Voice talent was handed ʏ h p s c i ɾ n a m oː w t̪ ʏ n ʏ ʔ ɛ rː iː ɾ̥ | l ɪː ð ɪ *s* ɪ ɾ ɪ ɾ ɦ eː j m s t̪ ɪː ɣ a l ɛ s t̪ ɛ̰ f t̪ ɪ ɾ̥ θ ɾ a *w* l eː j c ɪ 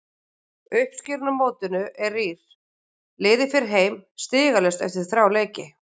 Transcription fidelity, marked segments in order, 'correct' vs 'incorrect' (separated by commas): incorrect, correct